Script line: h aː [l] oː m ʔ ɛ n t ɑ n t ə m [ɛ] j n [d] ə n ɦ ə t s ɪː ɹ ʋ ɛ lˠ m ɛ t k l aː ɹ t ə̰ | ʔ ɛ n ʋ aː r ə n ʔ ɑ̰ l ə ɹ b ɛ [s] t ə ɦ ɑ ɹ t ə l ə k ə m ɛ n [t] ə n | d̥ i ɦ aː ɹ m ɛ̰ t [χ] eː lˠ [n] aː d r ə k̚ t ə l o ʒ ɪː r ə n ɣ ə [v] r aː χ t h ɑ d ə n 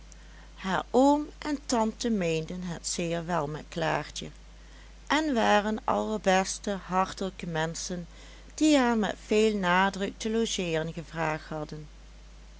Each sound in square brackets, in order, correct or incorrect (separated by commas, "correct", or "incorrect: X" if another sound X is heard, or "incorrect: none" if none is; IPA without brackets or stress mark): incorrect: ɹ, incorrect: e, correct, correct, incorrect: s, incorrect: f, correct, correct